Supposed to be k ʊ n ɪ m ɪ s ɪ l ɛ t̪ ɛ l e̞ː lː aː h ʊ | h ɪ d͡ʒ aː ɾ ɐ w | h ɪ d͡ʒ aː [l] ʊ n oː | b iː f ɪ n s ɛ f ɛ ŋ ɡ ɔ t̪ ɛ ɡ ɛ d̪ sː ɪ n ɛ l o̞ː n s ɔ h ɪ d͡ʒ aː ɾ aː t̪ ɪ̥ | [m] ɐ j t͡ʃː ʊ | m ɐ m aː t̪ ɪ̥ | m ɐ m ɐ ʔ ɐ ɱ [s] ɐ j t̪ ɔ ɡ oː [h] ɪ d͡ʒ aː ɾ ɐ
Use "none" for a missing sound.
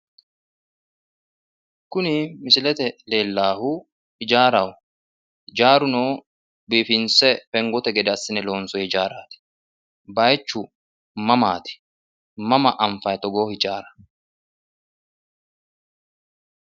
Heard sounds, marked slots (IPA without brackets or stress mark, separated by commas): ɾ, b, f, h